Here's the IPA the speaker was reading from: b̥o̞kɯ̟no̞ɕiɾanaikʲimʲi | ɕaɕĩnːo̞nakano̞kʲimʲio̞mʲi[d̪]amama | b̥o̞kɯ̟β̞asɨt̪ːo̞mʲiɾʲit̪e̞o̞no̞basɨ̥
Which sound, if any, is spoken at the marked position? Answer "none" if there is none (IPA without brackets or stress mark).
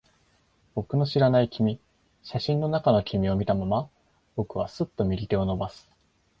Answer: t̪